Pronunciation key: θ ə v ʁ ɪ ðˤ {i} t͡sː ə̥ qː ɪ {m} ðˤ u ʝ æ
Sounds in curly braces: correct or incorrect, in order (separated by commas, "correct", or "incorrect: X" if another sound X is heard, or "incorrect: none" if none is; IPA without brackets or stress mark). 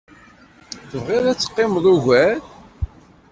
incorrect: æ, correct